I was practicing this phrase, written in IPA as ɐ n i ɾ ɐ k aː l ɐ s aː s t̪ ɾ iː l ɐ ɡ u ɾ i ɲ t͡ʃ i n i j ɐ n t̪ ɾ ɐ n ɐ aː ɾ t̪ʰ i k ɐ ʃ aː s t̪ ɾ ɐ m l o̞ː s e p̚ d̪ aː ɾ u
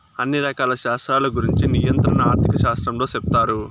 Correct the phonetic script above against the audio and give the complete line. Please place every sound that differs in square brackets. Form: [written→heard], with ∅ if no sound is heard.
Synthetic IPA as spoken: ɐ [n→nː] i ɾ ɐ k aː l ɐ [s→ʃ] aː s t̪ ɾ [iː→aː] l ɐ ɡ u ɾ i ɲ t͡ʃ i n i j ɐ n t̪ ɾ ɐ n ɐ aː ɾ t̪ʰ i k ɐ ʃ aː s t̪ ɾ ɐ m l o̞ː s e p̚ [d̪→t̪] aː ɾ u